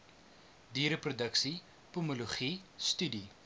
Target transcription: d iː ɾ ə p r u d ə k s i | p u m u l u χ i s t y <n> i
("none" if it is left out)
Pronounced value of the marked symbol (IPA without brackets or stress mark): d